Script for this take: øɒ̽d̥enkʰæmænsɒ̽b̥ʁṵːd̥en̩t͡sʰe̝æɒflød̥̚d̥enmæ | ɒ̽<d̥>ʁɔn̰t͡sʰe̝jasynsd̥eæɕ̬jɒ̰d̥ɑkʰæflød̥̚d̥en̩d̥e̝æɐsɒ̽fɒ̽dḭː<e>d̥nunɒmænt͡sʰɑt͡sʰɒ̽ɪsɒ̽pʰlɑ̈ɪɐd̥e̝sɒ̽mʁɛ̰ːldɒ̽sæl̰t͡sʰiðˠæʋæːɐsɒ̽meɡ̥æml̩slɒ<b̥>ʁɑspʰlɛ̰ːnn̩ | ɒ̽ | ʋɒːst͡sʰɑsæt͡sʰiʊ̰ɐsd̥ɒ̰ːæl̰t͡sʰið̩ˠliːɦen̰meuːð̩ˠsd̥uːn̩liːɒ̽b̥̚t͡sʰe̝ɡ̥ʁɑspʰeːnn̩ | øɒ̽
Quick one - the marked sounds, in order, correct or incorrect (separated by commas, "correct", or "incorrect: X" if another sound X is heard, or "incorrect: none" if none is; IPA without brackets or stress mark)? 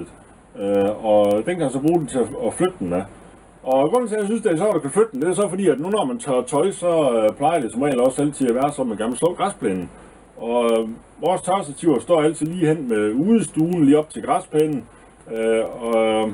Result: incorrect: ɡ̥, incorrect: æ, incorrect: ɡ̥